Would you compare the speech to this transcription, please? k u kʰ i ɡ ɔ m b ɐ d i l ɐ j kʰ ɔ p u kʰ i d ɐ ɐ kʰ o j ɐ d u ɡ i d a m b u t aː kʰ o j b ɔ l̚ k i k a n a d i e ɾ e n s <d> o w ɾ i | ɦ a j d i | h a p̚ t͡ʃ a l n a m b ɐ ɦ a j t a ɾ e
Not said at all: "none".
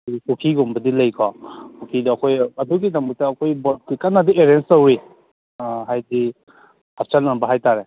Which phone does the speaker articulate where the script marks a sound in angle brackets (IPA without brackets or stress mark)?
t